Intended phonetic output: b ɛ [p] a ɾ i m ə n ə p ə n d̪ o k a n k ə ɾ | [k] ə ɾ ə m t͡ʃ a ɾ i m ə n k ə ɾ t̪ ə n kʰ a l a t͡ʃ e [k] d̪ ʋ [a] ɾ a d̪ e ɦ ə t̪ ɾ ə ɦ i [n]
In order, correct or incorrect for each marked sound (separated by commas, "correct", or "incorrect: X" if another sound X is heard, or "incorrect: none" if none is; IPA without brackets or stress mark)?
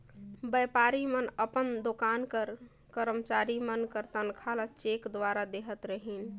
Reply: correct, correct, correct, correct, correct